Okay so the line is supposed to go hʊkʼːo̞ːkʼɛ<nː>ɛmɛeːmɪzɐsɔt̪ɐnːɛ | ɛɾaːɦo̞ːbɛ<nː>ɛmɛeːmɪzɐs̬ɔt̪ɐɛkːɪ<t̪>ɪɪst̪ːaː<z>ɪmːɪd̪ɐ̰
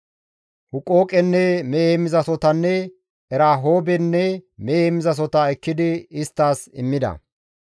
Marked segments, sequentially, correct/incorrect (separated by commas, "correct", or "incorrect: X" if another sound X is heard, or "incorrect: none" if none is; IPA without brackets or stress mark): correct, correct, incorrect: d̪, incorrect: s